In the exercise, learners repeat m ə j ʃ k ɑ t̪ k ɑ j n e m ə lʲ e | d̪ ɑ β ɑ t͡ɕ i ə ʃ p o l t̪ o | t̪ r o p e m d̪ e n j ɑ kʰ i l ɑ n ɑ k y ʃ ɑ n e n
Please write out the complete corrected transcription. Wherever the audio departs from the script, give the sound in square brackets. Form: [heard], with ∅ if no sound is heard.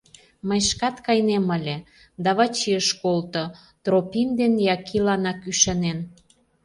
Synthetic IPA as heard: m ə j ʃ k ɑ t̪ k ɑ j n e m ə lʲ e | d̪ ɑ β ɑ t͡ɕ i ə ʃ [k] o l t̪ o | t̪ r o p [i] m d̪ e n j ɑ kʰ i l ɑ n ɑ k y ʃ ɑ n e n